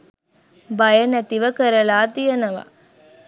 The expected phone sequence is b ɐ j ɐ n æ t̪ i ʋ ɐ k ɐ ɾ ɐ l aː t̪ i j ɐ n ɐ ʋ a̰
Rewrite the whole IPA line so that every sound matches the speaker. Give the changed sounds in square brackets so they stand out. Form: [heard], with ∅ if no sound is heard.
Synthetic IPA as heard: b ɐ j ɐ n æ t̪ i ʋ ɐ k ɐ ɾ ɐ l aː t̪ i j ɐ n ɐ ʋ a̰